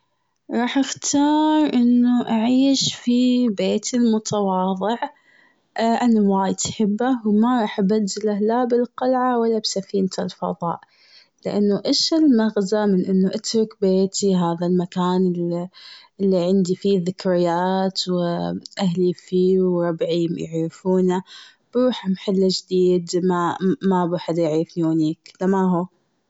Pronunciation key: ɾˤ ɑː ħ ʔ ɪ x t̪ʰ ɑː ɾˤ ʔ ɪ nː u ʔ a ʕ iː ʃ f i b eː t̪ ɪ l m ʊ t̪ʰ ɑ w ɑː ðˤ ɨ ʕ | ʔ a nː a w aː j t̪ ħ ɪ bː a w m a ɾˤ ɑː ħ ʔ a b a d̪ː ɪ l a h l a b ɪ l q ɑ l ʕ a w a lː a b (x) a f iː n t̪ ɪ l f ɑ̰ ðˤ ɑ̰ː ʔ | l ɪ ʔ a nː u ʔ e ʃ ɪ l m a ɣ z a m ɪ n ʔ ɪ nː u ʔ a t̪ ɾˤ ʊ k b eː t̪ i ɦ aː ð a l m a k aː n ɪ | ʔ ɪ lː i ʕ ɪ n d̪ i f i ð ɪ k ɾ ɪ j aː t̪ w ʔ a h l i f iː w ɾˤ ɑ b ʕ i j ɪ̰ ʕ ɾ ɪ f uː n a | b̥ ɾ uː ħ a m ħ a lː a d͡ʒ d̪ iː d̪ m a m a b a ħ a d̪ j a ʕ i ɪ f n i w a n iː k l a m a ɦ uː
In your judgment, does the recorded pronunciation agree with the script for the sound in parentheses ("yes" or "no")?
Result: no